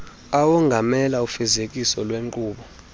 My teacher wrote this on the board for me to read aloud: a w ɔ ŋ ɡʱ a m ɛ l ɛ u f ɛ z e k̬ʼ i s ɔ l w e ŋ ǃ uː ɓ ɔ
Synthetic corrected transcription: a w ɔ ŋ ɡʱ a m ɛ l a u f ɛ z e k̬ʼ i s ɔ l w e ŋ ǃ uː ɓ ɔ